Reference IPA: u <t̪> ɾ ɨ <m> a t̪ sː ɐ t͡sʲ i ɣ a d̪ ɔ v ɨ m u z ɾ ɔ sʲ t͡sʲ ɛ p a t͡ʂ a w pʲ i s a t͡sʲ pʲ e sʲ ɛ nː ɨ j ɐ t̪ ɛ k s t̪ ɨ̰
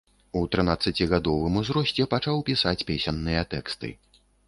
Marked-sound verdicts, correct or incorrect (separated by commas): correct, incorrect